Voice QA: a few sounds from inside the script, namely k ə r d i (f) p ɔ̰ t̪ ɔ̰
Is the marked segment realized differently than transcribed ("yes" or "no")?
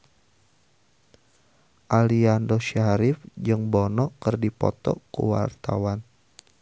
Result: yes